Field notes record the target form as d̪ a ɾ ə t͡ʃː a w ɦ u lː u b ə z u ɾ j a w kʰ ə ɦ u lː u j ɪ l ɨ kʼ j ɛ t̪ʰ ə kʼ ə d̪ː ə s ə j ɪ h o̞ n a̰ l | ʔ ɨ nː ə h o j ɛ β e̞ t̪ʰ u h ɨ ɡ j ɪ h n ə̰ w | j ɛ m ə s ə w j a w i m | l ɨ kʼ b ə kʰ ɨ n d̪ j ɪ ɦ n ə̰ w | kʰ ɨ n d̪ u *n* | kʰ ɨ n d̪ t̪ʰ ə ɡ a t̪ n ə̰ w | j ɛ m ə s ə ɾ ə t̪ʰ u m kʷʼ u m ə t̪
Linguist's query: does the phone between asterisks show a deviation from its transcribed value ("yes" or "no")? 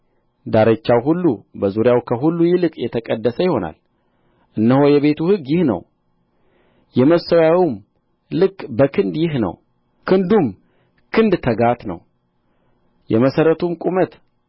yes